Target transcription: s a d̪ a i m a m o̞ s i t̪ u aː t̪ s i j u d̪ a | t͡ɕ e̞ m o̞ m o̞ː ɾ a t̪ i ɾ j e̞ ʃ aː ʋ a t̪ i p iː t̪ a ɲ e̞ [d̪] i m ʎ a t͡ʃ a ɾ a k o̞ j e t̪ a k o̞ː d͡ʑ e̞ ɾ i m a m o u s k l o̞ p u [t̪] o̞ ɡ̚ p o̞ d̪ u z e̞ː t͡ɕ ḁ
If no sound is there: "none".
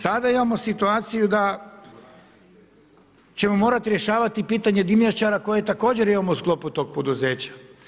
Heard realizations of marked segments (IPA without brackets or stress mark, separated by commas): d̪, t̪